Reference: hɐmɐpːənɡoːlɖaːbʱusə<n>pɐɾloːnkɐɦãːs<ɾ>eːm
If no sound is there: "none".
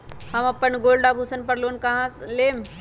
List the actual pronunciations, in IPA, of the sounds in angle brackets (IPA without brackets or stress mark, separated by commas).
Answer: n, l